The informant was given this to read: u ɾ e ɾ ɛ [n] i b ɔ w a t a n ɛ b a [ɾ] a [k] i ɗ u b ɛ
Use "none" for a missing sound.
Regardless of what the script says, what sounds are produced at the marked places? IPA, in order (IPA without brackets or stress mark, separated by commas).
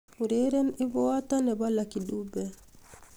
n, l, k